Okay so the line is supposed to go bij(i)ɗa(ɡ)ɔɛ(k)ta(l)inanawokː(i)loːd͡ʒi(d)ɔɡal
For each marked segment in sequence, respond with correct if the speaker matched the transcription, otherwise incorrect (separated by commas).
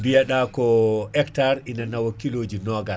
incorrect, incorrect, correct, incorrect, correct, incorrect